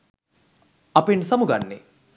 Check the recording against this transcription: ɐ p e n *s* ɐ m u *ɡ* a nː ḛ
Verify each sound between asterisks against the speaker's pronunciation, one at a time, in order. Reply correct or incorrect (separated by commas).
correct, correct